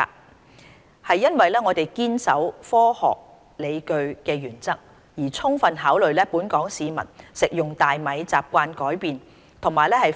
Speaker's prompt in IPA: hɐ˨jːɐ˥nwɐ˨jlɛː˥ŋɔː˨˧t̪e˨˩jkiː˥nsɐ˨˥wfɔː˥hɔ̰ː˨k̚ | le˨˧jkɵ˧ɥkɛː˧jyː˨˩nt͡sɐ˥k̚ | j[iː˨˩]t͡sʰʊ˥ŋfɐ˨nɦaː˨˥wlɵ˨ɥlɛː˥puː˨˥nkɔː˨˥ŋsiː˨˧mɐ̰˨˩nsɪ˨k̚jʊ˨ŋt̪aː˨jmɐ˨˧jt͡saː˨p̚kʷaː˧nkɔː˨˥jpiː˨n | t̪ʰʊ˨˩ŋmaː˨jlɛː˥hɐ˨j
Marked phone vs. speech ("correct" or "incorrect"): correct